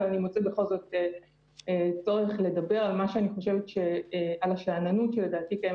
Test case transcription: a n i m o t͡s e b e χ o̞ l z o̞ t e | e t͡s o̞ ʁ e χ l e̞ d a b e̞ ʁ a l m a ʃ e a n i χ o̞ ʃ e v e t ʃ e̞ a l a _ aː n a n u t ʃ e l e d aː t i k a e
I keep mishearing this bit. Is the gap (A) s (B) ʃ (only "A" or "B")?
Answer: B